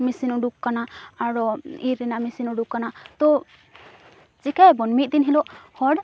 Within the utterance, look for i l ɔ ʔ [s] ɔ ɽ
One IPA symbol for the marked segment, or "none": h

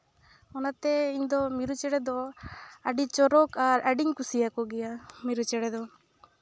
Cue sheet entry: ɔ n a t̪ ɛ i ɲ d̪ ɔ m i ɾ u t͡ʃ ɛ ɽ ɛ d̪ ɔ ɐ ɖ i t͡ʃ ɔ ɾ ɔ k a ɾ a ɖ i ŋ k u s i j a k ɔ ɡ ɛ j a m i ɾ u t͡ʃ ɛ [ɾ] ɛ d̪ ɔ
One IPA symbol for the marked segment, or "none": ɽ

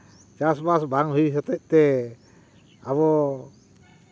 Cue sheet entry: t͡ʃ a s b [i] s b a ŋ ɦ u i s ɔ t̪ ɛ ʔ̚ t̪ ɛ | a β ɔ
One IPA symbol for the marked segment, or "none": a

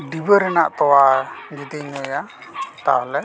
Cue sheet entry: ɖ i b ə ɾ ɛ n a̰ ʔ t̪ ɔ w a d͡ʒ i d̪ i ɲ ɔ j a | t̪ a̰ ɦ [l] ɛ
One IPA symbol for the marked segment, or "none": l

